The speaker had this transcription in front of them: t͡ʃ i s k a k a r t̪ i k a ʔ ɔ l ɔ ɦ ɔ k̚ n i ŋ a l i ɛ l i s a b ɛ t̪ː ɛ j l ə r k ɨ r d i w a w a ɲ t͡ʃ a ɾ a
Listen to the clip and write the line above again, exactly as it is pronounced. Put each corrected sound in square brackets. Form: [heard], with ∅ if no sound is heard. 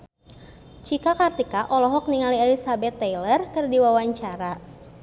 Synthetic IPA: t͡ʃ i [∅] k a k a r t̪ i k a ʔ ɔ l ɔ ɦ ɔ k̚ n i ŋ a l i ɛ l i s a b ɛ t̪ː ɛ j l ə r k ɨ r d i w a w a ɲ t͡ʃ a ɾ a

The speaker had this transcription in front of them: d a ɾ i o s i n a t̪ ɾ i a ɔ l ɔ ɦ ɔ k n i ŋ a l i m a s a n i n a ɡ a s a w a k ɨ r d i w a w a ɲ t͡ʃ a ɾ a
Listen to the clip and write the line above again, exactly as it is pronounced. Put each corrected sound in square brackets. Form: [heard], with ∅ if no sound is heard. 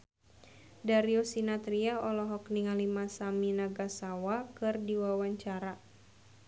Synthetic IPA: d a ɾ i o s i n a t̪ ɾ i a ɔ l ɔ ɦ ɔ k n i ŋ a l i m a s a [m] i n a ɡ a s a w a k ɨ r d i w a w a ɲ t͡ʃ a ɾ a

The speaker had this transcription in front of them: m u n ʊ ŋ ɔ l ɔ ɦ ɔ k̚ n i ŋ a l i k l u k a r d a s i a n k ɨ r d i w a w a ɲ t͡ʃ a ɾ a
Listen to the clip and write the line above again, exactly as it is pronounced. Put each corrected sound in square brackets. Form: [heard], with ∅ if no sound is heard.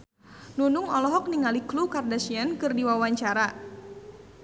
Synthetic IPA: [n] u n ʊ ŋ ɔ l ɔ ɦ ɔ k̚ n i ŋ a l i k l u k a r d a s i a n k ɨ r d i w a w a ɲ t͡ʃ a ɾ a

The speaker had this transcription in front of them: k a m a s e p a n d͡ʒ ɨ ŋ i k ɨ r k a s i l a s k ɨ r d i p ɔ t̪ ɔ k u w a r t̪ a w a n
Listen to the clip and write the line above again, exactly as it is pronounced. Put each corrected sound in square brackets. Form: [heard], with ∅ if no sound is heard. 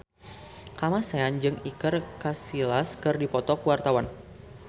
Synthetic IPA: k a m a s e [∅] a n d͡ʒ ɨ ŋ i k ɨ r k a s i l a s k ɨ r d i p ɔ t̪ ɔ k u w a r t̪ a w a n

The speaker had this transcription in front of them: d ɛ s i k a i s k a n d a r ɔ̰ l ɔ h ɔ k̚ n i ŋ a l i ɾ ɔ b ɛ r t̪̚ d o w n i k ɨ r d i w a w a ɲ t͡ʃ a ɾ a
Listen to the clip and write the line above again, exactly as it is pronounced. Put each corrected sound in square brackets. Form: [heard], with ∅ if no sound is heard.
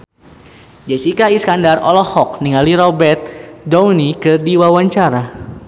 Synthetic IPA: [d͡ʒ] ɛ s i k a i s k a n d a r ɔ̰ l ɔ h ɔ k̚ n i ŋ a l i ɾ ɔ b ɛ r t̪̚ d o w n i k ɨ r d i w a w a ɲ t͡ʃ a ɾ a

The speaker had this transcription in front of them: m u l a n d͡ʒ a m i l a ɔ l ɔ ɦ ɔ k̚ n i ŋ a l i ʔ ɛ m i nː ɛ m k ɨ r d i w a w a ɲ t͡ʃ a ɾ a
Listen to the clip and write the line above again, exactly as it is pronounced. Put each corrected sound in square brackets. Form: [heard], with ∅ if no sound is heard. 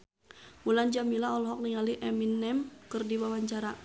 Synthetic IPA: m u l a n d͡ʒ a m i l a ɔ l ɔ ɦ ɔ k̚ n i ŋ a l i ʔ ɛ m i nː ɛ m k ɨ r d i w a w a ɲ t͡ʃ a ɾ a

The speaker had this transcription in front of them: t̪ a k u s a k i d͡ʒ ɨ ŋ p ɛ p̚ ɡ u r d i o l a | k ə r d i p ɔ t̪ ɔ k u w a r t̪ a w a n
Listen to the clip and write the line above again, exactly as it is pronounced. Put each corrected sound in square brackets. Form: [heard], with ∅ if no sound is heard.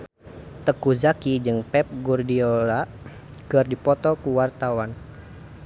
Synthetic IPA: t̪ [ə] k u [z] a k i d͡ʒ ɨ ŋ p ɛ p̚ ɡ u r d i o l a | k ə r d i p ɔ t̪ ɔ k u w a r t̪ a w a n

